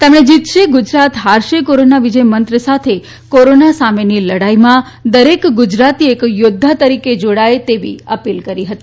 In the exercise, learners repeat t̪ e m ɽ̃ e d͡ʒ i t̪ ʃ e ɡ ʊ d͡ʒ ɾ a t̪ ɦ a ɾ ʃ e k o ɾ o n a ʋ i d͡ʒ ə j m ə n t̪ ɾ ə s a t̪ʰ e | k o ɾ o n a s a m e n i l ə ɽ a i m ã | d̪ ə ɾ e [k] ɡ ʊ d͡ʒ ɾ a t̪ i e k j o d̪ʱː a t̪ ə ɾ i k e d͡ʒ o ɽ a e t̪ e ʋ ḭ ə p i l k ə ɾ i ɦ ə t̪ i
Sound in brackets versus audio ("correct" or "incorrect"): correct